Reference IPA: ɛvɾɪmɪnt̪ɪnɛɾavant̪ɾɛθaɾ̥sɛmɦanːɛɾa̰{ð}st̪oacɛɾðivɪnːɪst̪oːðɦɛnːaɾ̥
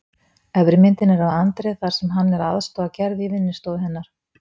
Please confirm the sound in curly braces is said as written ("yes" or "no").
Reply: yes